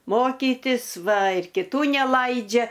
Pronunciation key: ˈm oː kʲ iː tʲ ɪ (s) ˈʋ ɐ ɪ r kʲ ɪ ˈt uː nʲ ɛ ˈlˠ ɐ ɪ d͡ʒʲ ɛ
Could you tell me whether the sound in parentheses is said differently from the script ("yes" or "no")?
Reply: no